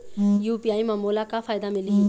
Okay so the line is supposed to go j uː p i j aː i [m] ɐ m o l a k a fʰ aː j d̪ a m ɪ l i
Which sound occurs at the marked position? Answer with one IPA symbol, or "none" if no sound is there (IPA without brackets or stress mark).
m